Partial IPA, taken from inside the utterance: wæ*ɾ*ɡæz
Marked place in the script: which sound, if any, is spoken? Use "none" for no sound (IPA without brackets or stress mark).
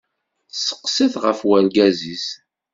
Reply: l